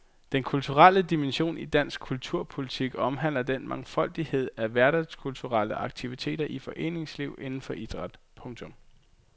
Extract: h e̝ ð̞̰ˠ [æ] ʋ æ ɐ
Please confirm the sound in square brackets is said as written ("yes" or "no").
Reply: yes